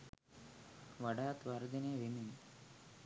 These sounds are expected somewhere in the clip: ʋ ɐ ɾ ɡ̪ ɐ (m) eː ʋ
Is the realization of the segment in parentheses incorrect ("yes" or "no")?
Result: yes